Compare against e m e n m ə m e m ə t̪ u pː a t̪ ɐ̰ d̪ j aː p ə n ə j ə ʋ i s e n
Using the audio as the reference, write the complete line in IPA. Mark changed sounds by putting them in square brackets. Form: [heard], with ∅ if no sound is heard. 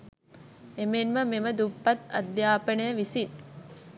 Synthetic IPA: e m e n m ə m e m ə [d̪] u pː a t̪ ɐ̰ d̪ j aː p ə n ə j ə ʋ i s [i] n